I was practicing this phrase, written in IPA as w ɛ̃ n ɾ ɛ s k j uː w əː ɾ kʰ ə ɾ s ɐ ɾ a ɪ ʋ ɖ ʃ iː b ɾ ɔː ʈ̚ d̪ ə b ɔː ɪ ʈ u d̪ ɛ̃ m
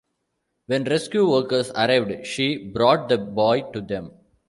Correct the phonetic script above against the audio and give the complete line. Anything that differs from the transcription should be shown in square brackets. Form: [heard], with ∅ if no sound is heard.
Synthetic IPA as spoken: [ʋ] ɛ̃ n ɾ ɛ s k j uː [ʋ] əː ɾ [k] ə ɾ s ɐ ɾ a ɪ ʋ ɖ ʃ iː b ɾ ɔː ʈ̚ d̪ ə b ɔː ɪ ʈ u d̪ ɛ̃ m

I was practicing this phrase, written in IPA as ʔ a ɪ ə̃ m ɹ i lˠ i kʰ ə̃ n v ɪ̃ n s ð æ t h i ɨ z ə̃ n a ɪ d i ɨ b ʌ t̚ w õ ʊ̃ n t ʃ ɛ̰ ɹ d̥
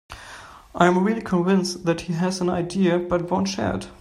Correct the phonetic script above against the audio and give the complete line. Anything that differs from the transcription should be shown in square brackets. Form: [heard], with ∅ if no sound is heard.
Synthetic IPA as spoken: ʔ a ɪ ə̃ m ɹ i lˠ i kʰ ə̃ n v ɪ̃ n s ð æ t h i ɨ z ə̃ n a ɪ d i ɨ b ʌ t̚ w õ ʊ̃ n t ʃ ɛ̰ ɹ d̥

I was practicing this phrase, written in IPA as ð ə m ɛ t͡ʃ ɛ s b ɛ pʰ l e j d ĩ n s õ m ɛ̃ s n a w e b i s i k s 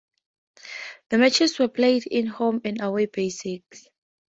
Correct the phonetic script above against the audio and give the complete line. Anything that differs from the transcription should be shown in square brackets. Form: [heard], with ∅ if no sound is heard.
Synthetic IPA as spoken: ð ə m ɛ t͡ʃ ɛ s [w] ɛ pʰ l e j d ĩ n [h] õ m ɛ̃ [∅] n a w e b [e] s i k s

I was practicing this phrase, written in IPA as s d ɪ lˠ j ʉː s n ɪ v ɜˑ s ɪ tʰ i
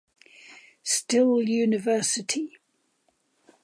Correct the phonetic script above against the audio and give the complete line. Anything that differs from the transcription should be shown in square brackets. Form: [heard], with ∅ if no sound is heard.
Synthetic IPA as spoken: s [t] ɪ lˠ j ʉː [∅] n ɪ v ɜˑ s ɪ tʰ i

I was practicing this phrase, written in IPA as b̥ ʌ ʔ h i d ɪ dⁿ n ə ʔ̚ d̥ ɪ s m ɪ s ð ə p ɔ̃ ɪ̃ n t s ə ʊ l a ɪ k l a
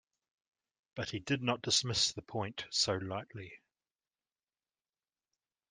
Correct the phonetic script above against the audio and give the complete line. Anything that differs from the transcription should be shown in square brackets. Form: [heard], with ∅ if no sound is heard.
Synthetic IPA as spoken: b̥ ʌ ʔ h i d ɪ dⁿ n ə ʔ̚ d̥ ɪ s m ɪ s ð ə [pʰ] ɔ̃ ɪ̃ n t s ə ʊ l a ɪ [ʔ] l [i]

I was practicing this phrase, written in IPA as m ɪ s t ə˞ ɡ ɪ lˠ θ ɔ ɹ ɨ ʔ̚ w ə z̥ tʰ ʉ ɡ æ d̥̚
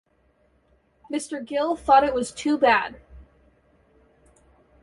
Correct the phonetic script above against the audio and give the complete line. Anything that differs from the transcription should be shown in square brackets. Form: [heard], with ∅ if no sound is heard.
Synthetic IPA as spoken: m ɪ s t ə˞ ɡ ɪ lˠ θ ɔ [ɾ] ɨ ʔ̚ w [ʌ] z̥ tʰ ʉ [b] æ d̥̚

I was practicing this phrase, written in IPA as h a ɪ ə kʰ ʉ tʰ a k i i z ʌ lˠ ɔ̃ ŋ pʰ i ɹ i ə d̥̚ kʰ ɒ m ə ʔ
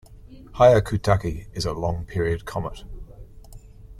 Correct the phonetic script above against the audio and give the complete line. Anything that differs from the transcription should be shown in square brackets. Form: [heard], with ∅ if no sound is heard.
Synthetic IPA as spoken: h a ɪ ə kʰ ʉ tʰ a k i [ɪ] z [ə] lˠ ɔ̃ ŋ pʰ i ɹ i ə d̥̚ kʰ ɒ m ə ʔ

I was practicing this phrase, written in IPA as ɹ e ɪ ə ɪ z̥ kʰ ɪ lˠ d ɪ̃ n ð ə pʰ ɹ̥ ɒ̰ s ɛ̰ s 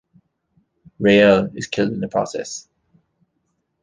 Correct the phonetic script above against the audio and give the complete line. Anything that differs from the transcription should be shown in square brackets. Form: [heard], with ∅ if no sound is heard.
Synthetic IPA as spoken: ɹ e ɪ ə ɪ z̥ kʰ ɪ lˠ d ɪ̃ n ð ə pʰ ɹ̥ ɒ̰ s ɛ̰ s

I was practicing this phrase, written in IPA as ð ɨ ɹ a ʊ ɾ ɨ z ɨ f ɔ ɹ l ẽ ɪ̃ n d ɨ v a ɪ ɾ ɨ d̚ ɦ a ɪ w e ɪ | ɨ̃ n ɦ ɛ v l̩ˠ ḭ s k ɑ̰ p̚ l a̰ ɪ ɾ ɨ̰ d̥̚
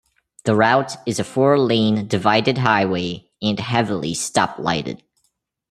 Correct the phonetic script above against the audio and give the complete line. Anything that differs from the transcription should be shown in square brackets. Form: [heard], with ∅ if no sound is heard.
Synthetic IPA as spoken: ð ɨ ɹ a ʊ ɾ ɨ z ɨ f ɔ ɹ l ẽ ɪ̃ n d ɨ v a ɪ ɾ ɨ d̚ ɦ a ɪ w e ɪ | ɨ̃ n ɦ ɛ v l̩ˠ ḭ s [t] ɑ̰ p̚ l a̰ ɪ ɾ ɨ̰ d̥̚

